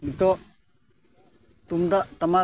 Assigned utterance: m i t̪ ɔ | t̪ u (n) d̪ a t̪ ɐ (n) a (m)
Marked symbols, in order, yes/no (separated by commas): no, no, no